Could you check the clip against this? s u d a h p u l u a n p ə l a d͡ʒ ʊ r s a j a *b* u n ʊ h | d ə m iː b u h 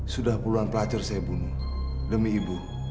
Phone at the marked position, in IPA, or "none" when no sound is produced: b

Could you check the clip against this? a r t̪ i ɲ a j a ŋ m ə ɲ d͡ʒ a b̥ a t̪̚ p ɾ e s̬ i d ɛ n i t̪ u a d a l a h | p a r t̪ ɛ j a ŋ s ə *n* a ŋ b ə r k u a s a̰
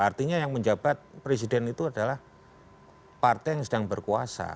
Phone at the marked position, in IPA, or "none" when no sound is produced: d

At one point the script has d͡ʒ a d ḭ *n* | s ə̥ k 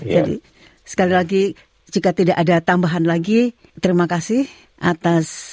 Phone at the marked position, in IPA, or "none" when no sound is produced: none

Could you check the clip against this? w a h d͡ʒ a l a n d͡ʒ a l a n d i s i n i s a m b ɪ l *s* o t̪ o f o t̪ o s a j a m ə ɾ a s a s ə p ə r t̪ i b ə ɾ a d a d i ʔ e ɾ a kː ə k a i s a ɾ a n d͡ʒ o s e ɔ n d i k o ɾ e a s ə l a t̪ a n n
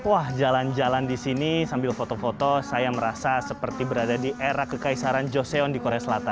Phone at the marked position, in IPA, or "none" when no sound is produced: f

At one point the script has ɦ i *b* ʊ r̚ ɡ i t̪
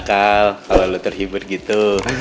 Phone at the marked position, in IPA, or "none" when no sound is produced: b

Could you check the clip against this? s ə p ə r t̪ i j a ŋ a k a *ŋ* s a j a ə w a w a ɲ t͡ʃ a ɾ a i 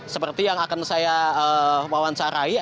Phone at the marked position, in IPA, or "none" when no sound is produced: n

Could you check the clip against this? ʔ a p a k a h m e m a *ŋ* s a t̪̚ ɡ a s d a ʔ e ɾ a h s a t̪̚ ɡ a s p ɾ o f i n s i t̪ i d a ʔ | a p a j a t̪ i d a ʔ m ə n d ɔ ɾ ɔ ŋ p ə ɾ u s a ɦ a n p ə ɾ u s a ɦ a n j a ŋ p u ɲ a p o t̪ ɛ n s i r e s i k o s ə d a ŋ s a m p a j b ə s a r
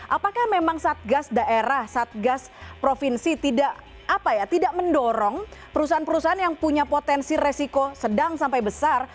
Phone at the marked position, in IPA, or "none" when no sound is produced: ŋ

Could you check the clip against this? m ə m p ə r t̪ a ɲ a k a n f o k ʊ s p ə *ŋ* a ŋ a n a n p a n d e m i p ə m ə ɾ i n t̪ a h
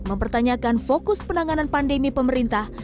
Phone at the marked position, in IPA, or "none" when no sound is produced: n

